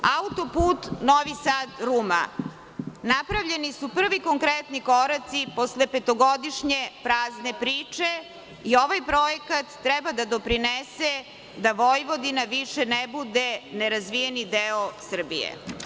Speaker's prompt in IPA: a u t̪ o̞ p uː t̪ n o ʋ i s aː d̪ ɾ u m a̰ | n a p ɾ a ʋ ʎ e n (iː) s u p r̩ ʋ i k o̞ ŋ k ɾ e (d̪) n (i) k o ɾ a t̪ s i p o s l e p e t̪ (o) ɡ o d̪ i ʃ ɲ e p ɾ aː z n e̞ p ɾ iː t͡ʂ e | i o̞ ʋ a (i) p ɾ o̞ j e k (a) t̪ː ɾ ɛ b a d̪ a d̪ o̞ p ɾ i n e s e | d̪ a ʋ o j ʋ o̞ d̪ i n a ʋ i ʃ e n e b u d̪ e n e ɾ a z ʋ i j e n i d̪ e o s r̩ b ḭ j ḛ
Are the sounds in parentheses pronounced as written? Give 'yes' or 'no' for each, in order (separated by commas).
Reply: no, no, yes, yes, no, yes